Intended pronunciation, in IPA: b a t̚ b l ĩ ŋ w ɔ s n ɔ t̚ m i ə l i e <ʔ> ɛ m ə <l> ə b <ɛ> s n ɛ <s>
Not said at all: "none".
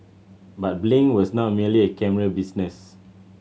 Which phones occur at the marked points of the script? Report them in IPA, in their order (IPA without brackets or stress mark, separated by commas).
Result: k, ɹ, i, s